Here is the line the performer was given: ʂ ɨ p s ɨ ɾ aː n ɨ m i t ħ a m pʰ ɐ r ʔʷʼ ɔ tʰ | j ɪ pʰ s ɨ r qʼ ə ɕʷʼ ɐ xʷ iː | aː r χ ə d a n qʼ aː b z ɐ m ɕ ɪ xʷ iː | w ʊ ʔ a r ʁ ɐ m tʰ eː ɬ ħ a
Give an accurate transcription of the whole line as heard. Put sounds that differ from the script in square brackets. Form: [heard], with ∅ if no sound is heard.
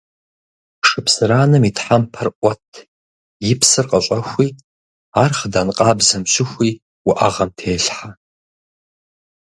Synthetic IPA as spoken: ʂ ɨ p s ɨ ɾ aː n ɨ m i t ħ a m pʰ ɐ r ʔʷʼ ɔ tʰ | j ɪ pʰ s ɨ r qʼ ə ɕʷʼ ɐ xʷ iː | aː r χ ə d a n qʼ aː b z ɐ m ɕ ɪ xʷ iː | w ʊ ʔ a [∅] ʁ ɐ m tʰ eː ɬ ħ a